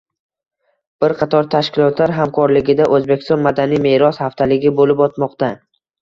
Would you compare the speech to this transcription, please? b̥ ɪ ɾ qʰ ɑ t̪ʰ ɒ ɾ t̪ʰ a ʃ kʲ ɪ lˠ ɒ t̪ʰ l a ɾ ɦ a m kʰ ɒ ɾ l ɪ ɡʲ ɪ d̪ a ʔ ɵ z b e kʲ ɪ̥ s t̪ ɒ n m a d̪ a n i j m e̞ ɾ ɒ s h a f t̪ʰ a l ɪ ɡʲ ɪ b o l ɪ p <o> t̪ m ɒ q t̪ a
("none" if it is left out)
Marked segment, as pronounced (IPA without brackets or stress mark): ɒ